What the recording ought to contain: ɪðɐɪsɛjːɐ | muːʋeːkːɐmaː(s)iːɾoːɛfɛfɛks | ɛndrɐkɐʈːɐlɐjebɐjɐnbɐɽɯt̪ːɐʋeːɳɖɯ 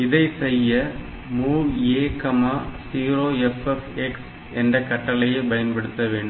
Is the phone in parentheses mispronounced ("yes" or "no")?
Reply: no